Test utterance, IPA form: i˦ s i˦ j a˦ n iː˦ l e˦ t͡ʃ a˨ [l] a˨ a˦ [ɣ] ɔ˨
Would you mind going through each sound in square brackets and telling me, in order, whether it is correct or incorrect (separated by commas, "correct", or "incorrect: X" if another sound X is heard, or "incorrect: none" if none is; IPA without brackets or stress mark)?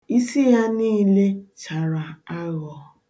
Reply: incorrect: ɾ, correct